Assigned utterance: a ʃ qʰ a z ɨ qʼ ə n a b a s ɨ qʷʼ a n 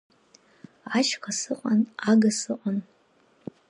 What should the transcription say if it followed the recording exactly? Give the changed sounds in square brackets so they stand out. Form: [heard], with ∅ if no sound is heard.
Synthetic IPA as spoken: a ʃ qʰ a [s] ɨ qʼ [a] n a [ɡ] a s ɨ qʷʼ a n